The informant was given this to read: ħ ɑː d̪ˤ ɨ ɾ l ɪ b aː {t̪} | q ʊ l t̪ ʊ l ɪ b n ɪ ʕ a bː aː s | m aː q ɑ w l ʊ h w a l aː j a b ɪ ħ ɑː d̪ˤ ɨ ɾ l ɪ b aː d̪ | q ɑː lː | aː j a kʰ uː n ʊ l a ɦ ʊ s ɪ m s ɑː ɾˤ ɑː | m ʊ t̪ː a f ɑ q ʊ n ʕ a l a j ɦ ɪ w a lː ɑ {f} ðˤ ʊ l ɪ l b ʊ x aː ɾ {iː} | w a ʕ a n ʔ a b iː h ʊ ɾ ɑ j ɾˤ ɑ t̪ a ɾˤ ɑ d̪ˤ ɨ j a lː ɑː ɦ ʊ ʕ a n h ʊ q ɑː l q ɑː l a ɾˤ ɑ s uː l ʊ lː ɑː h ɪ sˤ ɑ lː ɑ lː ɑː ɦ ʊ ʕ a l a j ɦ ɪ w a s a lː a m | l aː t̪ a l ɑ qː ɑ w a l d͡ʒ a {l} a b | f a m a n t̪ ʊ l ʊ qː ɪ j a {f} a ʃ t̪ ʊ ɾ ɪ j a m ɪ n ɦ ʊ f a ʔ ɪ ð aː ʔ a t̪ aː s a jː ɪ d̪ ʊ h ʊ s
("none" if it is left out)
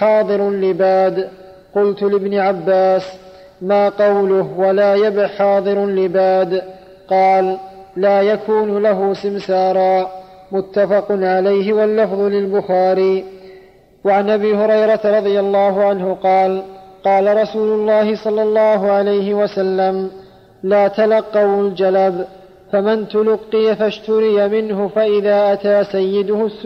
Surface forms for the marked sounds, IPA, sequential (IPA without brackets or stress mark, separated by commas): d̪, f, iː, l, f